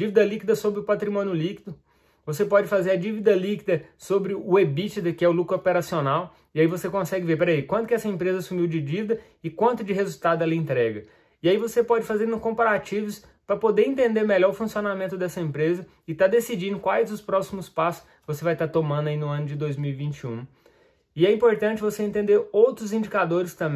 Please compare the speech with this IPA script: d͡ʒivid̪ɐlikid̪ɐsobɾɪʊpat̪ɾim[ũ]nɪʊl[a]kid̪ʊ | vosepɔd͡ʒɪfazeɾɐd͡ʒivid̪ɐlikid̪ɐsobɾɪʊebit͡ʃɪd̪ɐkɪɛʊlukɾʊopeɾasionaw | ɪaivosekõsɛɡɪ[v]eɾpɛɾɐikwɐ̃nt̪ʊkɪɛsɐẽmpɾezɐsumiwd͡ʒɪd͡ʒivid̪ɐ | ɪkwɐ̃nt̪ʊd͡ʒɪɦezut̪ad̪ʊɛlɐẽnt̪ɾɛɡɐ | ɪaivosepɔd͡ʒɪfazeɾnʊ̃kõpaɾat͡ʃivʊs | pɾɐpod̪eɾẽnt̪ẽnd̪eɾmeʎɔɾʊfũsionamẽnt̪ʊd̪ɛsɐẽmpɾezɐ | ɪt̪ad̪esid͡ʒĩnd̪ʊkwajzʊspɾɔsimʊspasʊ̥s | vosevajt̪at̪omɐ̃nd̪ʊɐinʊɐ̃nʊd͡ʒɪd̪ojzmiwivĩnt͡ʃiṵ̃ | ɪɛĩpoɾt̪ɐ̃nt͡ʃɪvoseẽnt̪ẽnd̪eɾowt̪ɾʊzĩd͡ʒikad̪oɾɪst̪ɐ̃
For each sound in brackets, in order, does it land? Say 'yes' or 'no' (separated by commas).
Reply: no, no, yes